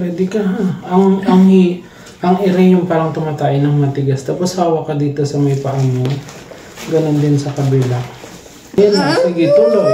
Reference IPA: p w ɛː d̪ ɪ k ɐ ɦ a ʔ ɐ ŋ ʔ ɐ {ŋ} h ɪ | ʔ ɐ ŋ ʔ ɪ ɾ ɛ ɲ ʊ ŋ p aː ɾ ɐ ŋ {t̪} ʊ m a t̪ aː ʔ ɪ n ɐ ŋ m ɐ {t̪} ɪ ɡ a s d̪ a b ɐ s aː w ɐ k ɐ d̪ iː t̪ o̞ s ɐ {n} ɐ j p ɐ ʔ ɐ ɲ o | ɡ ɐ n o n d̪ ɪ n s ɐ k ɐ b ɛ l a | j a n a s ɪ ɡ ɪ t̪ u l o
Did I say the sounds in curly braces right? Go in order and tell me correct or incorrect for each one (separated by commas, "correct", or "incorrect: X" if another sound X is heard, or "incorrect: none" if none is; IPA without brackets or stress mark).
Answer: correct, correct, correct, incorrect: m